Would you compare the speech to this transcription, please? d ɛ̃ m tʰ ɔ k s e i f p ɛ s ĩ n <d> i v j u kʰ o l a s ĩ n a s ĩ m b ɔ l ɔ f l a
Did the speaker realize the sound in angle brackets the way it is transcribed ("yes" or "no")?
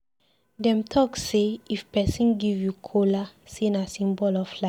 no